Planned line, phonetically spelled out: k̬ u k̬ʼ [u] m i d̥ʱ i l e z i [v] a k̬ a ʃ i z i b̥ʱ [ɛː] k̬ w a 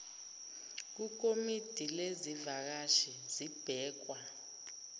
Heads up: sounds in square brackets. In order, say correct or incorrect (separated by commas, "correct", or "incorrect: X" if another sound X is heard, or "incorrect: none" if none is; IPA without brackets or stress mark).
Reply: incorrect: o, correct, correct